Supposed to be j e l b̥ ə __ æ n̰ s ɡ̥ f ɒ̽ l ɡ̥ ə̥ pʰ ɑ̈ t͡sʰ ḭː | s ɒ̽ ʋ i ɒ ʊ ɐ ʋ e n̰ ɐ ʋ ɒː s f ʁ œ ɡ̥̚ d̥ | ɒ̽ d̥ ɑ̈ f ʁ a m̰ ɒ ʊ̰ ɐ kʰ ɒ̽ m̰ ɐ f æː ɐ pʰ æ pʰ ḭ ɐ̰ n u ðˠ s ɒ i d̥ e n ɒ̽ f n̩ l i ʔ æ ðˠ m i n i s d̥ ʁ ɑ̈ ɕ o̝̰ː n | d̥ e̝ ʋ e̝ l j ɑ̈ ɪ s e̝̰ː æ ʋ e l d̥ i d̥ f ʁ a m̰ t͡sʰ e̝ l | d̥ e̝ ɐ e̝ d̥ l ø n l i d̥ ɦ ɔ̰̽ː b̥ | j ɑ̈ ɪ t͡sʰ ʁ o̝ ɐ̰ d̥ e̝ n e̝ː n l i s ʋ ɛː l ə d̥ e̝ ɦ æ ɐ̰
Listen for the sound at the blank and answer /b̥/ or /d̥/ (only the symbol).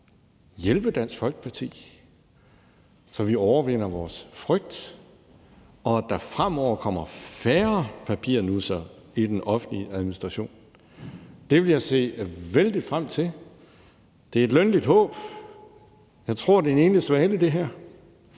d̥